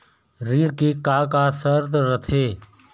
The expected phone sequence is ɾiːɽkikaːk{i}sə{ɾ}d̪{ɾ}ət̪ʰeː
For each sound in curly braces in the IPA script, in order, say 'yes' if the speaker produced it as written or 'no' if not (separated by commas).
no, yes, yes